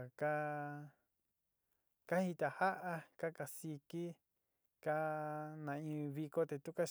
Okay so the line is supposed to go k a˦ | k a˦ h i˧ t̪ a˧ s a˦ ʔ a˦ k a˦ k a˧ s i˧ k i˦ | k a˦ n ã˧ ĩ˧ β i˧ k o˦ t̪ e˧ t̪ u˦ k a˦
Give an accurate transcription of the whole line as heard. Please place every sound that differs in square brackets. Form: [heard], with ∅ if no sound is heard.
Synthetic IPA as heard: k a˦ | k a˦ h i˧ t̪ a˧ [h] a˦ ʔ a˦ k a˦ k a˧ s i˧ k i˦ | k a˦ n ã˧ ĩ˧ β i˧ k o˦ t̪ e˧ t̪ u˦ k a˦